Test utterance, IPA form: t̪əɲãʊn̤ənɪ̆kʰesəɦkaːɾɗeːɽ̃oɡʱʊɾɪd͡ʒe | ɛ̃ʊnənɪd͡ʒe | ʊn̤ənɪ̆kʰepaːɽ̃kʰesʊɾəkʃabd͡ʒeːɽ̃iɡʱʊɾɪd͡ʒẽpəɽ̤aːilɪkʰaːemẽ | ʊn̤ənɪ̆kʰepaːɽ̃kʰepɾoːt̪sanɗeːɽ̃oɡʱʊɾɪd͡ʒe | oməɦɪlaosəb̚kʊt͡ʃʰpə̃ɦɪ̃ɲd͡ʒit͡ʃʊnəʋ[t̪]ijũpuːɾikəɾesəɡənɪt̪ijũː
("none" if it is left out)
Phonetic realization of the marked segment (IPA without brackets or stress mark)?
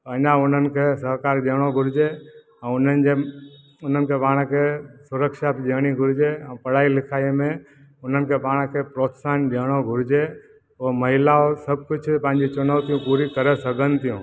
t̪